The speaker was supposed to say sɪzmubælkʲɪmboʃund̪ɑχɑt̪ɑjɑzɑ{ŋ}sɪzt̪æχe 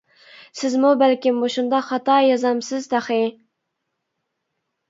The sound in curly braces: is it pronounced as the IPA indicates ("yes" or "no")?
no